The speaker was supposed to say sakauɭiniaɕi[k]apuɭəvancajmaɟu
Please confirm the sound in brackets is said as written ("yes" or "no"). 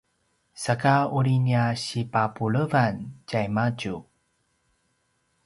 no